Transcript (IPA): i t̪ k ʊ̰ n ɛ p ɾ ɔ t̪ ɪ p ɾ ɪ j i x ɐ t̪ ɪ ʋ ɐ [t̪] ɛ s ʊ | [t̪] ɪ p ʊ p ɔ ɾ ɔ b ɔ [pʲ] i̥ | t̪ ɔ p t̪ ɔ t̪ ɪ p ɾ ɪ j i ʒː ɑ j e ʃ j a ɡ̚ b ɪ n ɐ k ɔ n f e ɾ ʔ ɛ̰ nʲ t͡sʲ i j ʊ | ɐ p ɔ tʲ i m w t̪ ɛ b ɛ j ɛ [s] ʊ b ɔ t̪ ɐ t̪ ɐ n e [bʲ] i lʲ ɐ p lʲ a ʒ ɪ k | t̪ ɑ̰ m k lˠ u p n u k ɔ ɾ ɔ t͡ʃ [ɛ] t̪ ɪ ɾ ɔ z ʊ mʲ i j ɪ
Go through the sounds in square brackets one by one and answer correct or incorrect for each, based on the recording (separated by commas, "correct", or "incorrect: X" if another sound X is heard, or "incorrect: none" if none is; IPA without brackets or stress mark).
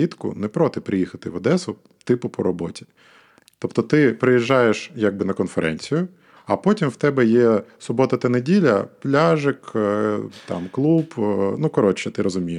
incorrect: d̪, correct, incorrect: tʲ, correct, incorrect: dʲ, correct